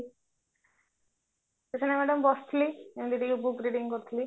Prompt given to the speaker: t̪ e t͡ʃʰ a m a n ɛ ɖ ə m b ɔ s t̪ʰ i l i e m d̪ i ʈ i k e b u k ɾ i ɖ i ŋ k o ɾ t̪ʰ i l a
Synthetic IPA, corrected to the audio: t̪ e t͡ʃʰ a n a m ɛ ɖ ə m b ɔ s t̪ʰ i l i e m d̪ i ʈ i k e b u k ɾ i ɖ i ŋ k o ɾ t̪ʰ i l i